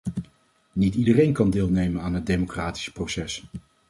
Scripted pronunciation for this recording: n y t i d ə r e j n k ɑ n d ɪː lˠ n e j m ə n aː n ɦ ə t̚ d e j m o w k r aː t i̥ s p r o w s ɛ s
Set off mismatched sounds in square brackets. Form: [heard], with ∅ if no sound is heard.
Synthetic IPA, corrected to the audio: n [i] t i d ə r e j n k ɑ n d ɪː lˠ n e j m ə n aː n ɦ ə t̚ d e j m o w k r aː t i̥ s p r o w s ɛ s